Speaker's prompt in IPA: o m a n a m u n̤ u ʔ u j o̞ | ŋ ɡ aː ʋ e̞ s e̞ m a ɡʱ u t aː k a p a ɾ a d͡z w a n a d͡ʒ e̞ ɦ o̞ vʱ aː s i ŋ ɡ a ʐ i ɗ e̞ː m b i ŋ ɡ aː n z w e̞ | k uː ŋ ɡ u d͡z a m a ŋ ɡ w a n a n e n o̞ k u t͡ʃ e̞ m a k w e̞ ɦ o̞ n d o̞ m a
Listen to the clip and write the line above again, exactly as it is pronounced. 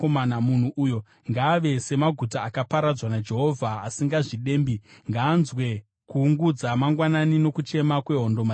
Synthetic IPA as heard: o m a n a m u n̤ u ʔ u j o̞ | ŋ ɡ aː ʋ e̞ s e̞ m a ɡʱ u t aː k a p a ɾ a d͡z w a n a d͡ʒ e̞ ɦ o̞ vʱ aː s i ŋ ɡ a ʐ i ɗ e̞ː m b i ŋ ɡ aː n z w e̞ | k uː ŋ ɡ u d͡z a m a ŋ ɡ w a n a n i n o̞ k u t͡ʃ e̞ m a k w e̞ ɦ o̞ n d o̞ m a